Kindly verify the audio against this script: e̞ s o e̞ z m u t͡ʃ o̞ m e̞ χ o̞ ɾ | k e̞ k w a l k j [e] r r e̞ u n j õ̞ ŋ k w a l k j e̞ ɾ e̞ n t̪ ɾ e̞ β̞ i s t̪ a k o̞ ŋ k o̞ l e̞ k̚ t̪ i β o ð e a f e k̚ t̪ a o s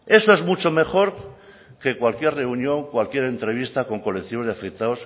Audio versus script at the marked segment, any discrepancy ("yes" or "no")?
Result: no